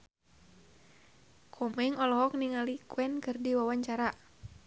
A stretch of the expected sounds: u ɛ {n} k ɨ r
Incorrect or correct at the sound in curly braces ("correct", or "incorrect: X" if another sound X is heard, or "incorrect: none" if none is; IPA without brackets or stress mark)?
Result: correct